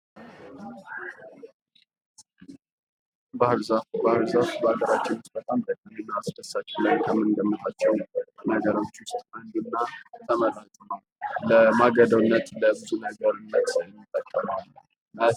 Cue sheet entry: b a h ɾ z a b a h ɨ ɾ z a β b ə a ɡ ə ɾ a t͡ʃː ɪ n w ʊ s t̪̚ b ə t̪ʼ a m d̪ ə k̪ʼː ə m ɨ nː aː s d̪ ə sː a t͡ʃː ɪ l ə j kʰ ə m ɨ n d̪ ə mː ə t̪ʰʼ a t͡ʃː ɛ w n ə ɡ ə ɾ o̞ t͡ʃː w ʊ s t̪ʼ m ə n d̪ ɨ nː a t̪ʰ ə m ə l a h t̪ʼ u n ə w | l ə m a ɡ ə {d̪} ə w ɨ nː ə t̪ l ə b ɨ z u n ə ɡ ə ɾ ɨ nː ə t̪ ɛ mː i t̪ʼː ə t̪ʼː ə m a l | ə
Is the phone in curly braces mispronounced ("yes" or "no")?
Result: no